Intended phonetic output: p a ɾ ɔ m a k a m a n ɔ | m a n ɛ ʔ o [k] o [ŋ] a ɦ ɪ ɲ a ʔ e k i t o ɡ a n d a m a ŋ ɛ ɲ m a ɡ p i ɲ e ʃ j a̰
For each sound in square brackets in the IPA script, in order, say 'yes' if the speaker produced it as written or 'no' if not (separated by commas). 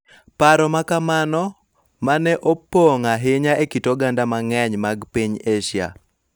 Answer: no, yes